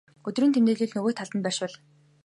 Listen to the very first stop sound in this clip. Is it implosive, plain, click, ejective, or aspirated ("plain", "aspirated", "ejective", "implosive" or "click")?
plain